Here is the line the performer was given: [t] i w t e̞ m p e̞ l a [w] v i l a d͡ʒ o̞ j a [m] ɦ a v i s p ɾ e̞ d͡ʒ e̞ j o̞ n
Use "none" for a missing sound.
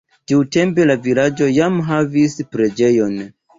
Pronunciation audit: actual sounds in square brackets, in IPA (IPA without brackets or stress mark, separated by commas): t, none, m